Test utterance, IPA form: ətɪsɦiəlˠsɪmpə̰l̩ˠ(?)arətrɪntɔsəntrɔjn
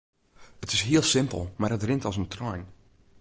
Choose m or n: m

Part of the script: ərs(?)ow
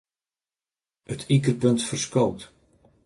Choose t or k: k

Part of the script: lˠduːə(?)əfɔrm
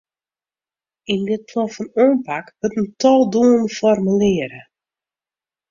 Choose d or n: n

